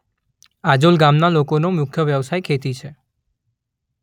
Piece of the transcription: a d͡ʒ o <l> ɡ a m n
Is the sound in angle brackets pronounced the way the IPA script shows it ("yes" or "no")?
yes